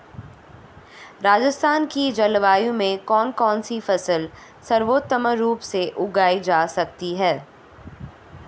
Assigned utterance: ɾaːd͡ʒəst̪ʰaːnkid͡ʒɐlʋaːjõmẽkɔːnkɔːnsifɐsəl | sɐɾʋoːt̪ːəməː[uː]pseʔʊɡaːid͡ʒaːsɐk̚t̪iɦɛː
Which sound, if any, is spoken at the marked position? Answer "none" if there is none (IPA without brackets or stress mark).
uː